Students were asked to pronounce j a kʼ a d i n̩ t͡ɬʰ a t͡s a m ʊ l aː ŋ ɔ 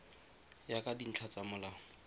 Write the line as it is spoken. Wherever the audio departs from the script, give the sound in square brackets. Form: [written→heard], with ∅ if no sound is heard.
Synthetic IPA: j a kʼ a d i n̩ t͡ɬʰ a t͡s a m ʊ l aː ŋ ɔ